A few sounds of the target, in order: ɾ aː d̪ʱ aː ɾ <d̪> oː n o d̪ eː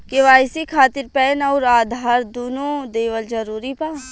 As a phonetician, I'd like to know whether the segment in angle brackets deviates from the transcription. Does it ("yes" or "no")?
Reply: no